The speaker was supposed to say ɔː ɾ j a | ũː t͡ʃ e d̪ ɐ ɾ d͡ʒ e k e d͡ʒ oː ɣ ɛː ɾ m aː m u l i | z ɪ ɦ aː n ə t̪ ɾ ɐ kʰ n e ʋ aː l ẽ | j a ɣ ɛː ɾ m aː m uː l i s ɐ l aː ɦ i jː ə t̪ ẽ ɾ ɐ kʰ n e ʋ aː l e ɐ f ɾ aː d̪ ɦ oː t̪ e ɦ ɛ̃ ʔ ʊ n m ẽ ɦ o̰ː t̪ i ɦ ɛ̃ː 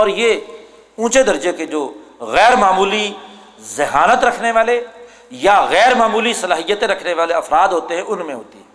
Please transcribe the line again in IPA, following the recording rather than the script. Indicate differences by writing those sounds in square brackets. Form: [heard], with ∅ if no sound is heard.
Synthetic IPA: ɔː ɾ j [e] | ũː t͡ʃ e d̪ ɐ ɾ d͡ʒ e k e d͡ʒ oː ɣ ɛː ɾ m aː m [uː] l i | z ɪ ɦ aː n ə t̪ ɾ ɐ kʰ n e ʋ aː l [e] | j a ɣ ɛː ɾ m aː m uː l i s ɐ l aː ɦ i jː ə t̪ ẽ ɾ ɐ kʰ n e ʋ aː l e ɐ f ɾ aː d̪ ɦ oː t̪ e ɦ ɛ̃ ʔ ʊ n m ẽ ɦ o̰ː t̪ i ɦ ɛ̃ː